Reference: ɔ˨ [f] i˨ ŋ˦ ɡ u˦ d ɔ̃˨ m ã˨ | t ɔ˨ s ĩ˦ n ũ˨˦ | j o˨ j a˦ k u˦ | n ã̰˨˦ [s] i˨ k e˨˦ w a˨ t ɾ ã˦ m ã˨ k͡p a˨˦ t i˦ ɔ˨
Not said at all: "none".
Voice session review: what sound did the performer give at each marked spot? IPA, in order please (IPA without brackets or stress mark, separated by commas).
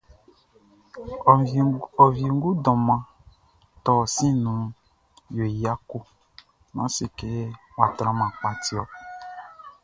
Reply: v, s